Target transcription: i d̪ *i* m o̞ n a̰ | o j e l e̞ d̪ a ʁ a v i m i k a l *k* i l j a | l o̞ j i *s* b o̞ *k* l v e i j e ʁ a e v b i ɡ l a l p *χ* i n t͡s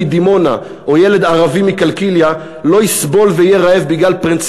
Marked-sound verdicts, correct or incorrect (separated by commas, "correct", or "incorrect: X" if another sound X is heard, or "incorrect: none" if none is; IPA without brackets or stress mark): correct, correct, correct, incorrect: none, incorrect: ʁ